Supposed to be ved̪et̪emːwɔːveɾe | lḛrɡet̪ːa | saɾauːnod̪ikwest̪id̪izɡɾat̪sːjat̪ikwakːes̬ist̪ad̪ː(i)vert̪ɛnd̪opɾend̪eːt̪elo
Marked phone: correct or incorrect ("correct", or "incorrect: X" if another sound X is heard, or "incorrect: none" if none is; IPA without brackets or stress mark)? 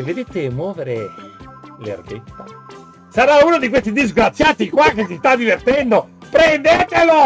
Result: correct